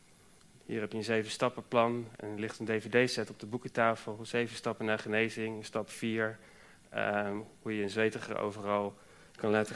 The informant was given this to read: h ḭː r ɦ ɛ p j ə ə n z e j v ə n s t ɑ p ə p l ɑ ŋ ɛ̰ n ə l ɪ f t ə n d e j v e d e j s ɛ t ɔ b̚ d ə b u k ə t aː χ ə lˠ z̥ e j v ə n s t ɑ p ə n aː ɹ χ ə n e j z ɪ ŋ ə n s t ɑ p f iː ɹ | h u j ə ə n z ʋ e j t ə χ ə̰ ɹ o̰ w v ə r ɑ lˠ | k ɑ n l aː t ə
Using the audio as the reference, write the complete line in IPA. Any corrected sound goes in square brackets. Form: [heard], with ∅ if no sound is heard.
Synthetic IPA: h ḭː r ɦ ɛ p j ə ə n z e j v ə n s t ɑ p ə p l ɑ [n] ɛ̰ n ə l ɪ [χ] t ə n d e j v e d e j s ɛ t ɔ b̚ d ə b u k ə t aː [f] ə lˠ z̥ e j v ə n s t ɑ p ə n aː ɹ χ ə n e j z ɪ ŋ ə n s t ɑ p f iː ɹ | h u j ə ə n z ʋ e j t ə χ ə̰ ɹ o̰ w v ə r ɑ lˠ | k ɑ n l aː t ə